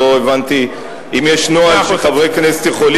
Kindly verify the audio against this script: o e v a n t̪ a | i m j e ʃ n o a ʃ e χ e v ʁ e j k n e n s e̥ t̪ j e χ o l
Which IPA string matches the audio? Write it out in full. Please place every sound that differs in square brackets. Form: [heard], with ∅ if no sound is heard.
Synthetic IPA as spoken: o e v a n t̪ [i] | i m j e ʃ n o a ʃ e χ [a] v ʁ e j k n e [∅] s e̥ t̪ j e χ o l